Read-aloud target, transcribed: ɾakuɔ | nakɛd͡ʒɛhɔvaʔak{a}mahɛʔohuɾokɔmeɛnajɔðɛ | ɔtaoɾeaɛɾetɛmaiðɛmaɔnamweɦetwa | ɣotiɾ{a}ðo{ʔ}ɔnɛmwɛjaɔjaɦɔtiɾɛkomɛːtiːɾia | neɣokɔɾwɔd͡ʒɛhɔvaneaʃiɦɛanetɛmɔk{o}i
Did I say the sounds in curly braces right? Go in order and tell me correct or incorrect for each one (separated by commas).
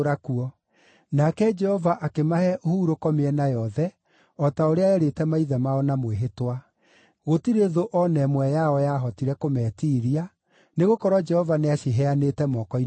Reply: incorrect, incorrect, correct, incorrect